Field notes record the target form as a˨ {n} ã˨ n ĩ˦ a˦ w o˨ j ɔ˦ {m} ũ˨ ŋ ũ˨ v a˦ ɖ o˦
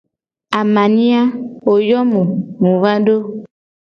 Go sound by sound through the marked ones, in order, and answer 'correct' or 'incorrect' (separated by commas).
incorrect, correct